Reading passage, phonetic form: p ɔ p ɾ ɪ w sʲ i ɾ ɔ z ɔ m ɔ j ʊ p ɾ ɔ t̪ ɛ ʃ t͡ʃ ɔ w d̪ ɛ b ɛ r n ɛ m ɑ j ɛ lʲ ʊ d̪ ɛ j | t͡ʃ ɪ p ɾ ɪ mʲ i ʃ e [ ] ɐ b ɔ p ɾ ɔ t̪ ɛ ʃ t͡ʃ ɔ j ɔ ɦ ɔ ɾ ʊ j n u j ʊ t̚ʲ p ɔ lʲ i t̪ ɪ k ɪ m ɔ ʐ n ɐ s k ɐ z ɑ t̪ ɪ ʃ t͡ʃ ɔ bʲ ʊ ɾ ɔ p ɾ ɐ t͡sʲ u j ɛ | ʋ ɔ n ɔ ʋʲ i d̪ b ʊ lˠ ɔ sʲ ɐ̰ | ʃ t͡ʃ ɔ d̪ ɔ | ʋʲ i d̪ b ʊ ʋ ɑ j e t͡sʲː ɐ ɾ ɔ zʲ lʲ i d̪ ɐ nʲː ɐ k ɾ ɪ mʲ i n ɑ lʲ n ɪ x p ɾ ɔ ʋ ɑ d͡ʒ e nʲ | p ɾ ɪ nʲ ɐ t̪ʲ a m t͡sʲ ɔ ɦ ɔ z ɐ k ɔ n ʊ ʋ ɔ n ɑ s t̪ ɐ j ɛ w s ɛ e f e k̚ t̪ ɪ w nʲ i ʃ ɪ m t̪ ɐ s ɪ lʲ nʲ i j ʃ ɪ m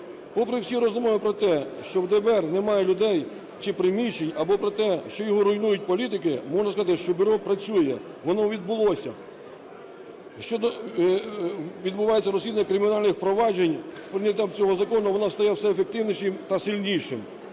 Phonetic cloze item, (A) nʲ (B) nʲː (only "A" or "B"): A